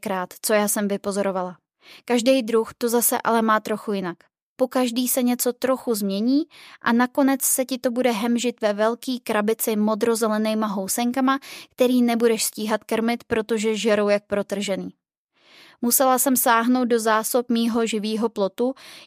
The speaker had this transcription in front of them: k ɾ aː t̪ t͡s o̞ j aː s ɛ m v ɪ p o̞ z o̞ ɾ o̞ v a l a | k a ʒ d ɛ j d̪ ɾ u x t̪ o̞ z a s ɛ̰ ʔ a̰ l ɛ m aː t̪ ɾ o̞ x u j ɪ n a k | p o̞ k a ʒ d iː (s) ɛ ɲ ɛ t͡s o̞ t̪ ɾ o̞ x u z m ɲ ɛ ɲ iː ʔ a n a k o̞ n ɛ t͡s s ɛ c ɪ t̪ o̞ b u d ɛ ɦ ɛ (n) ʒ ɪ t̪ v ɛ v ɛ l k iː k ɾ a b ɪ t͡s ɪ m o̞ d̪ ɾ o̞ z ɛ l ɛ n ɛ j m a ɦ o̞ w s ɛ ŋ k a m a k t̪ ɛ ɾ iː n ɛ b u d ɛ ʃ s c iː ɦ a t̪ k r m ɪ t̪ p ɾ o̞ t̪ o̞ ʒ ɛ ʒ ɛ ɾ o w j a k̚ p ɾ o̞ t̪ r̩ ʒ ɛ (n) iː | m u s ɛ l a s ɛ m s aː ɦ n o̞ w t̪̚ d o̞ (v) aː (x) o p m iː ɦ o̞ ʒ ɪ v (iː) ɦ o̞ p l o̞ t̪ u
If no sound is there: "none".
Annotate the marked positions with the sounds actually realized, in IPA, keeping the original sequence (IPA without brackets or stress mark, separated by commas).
s, m, n, z, s, iː